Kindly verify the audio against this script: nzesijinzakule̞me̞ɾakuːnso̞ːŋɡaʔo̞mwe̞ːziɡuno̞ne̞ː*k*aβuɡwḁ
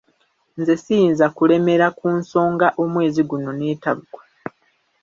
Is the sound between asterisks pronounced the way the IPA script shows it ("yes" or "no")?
no